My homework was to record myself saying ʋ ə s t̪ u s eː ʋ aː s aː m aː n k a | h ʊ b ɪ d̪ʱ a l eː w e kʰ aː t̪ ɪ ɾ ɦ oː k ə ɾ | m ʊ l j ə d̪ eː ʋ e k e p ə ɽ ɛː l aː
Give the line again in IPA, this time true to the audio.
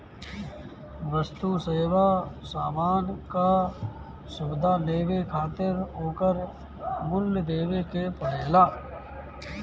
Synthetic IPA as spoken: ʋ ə s t̪ u s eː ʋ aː s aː m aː n k a | s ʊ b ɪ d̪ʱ a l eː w e kʰ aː t̪ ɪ ɾ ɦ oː k ə ɾ | m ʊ l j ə d̪ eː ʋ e k e p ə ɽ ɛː l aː